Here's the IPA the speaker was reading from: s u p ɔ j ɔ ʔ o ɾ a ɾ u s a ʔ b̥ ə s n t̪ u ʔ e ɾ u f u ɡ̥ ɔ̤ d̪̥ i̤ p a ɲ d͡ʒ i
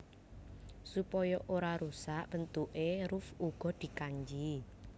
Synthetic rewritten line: s u p ɔ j ɔ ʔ o ɾ a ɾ u s a ʔ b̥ ə n t̪ u ʔ e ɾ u f u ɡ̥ ɔ̤ d̪̥ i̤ k a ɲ d͡ʒ i